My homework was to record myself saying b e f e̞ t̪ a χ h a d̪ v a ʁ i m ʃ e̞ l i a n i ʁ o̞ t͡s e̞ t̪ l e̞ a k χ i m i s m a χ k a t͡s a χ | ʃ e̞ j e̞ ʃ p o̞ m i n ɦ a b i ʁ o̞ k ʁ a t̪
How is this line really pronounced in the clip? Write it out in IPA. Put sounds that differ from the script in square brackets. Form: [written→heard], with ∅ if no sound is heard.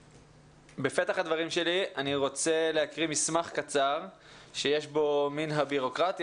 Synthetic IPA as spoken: b e f e̞ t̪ a χ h a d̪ v a ʁ i m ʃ e̞ l i a n i ʁ o̞ t͡s e̞ [t̪→∅] l e̞ a k [χ→ʁ] i m i s m a χ k a t͡s a [χ→ʁ] | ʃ e̞ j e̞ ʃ [p→b] o̞ m i n ɦ a b i ʁ o̞ k ʁ a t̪